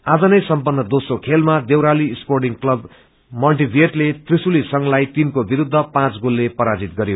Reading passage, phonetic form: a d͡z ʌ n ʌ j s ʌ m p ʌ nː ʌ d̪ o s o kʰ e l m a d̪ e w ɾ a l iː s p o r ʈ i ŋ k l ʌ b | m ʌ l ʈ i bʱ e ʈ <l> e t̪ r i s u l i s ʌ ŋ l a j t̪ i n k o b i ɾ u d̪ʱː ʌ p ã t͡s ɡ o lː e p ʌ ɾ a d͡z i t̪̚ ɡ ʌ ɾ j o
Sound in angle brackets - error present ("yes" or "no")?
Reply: no